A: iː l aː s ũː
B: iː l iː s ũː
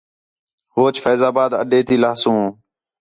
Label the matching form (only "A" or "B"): A